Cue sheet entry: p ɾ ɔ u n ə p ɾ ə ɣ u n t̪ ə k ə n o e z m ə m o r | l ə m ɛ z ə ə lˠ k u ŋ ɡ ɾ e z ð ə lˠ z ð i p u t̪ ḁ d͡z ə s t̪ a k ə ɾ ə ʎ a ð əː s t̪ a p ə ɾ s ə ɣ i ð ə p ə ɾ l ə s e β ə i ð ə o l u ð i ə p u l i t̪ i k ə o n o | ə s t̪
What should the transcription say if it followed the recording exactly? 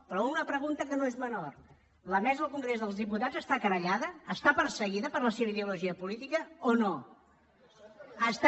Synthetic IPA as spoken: p ɾ ɔ u n ə p ɾ ə ɣ u n t̪ ə k ə n o e z m ə n o r | l ə m ɛ z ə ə lˠ k u ŋ ɡ ɾ e z ð ə lˠ z ð i p u t̪ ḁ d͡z ə s t̪ a k ə ɾ ə ʎ a ð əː s t̪ a p ə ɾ s ə ɣ i ð ə p ə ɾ l ə s e β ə i ð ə u l u ʒ i ə p u l i t̪ i k ə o n o | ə s t̪